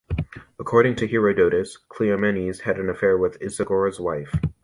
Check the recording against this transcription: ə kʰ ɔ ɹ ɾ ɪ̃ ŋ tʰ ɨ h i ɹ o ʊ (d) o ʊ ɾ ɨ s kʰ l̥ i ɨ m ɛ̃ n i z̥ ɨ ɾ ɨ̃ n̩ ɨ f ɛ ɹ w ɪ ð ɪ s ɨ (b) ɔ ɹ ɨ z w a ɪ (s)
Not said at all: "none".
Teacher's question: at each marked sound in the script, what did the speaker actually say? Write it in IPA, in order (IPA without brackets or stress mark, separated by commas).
d, ɡ, f